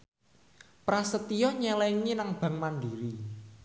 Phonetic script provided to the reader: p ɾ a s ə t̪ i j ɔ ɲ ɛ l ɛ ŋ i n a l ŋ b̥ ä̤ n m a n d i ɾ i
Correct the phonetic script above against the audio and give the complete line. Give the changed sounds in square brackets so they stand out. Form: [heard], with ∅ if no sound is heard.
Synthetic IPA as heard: p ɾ a s ə t̪ i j ɔ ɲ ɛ l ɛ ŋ i n a [∅] ŋ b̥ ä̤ [ŋ] m a n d i ɾ i